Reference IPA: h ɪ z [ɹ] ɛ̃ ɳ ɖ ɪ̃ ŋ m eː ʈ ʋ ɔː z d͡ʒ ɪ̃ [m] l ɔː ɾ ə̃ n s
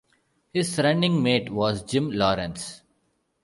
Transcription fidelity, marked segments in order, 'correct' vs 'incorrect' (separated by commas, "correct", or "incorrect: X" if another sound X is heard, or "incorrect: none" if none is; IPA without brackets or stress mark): incorrect: ɾ, correct